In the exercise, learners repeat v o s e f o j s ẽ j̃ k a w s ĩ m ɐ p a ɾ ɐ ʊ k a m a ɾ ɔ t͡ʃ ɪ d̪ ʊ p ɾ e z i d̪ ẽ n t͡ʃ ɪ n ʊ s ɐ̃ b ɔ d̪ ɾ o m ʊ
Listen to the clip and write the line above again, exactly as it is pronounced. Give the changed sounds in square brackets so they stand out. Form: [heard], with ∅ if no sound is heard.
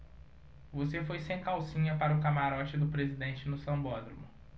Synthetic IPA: v o s e f o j s ẽ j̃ k a w s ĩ [ɲ] ɐ p a ɾ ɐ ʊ k a m a ɾ ɔ t͡ʃ ɪ d̪ ʊ p ɾ e z i d̪ ẽ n t͡ʃ ɪ n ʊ s ɐ̃ b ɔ d̪ ɾ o m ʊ